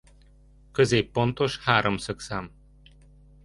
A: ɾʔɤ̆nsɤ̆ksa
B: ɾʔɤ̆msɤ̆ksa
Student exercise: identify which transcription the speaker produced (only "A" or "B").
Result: B